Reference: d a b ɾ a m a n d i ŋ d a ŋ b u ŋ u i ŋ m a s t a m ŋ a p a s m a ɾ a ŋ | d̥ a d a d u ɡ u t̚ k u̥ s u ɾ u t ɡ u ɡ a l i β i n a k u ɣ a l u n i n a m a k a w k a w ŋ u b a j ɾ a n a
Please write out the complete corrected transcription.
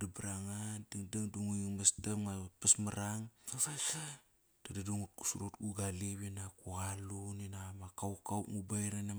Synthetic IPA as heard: d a b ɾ a ŋ a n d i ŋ d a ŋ d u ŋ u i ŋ m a s t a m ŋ a p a s m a ɾ a ŋ | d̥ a d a d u ŋ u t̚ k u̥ s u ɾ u t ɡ u ɡ a l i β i n a k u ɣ a l u n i n a m a k a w k a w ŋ u b a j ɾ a n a